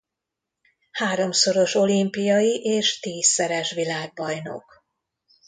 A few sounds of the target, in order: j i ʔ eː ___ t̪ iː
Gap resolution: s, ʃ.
ʃ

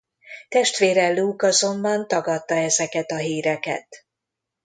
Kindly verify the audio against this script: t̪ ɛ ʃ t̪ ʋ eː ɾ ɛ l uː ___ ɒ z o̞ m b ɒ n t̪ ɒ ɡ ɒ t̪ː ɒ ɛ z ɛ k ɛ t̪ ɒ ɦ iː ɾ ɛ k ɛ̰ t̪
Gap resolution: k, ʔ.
k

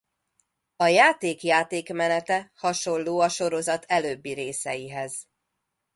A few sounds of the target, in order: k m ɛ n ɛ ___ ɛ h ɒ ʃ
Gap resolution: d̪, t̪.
t̪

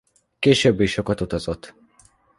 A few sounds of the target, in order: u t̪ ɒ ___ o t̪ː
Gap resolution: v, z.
z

